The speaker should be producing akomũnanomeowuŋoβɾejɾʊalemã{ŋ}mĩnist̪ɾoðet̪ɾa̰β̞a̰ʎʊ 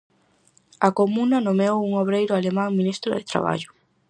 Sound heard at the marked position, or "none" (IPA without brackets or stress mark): ŋ